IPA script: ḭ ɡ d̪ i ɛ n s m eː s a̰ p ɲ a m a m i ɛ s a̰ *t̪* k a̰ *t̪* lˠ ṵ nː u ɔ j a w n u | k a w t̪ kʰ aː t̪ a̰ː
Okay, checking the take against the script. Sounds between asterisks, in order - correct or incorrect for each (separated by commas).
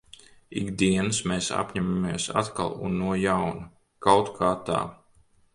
correct, incorrect